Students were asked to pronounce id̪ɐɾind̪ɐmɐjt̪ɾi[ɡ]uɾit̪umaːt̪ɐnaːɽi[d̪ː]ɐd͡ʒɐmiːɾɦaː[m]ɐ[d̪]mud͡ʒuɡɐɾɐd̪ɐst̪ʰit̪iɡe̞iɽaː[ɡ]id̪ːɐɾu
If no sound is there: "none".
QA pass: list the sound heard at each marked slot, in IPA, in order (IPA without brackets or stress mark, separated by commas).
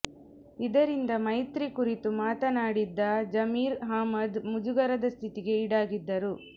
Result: k, d̪ː, m, d̪, ɡ